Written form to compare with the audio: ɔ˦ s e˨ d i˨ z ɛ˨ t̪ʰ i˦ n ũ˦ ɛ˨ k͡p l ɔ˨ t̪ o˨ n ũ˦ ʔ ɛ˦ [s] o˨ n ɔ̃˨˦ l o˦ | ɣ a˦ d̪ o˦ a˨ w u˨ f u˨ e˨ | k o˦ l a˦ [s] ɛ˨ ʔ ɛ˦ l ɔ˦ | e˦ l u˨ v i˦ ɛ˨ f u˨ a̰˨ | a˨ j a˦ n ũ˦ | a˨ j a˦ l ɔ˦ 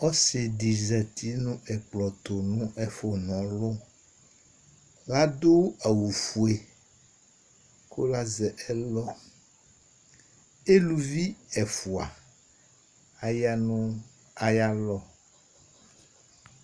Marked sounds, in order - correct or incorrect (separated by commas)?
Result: incorrect, incorrect